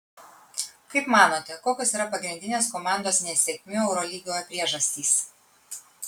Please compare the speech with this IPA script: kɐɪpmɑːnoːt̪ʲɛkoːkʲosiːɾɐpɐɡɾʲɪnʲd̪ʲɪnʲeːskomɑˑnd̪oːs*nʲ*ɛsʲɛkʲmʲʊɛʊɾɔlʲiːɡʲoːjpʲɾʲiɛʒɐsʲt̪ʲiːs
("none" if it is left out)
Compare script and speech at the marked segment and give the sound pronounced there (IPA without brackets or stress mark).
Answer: nʲ